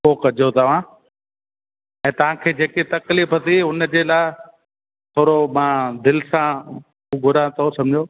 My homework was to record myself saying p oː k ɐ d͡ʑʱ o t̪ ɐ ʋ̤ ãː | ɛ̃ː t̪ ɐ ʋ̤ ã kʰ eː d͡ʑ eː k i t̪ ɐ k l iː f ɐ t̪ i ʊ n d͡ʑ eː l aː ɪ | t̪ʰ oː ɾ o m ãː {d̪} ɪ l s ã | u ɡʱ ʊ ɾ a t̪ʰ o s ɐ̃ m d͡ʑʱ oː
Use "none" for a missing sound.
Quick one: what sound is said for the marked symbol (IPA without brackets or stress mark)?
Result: d̪